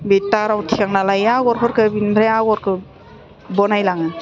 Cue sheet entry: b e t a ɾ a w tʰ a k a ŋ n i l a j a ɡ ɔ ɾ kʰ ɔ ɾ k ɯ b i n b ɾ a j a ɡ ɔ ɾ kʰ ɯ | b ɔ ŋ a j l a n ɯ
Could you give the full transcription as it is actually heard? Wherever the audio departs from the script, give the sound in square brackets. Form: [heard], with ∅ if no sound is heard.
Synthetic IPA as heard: b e t a ɾ a w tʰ [i] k a ŋ n [a] l a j a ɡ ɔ ɾ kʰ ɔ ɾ k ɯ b i n b ɾ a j a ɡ ɔ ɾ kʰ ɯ | b ɔ [n] a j l a [ŋ] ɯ